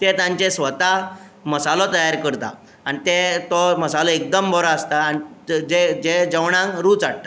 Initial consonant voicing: voiceless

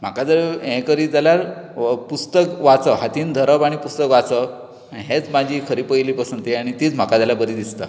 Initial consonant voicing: voiced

